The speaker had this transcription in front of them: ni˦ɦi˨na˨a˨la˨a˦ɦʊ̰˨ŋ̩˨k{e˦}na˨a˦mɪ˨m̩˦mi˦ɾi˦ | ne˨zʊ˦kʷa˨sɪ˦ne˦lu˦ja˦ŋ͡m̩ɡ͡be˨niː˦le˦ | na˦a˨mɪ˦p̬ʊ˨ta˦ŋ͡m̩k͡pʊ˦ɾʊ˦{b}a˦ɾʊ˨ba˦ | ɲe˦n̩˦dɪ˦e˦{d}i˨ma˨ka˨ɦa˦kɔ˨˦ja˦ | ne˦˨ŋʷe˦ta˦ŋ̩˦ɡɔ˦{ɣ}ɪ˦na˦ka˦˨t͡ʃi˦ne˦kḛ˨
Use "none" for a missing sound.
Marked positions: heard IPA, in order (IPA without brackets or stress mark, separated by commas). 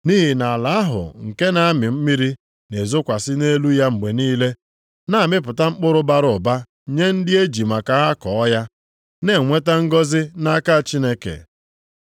e˦, b, d͡ʒ, z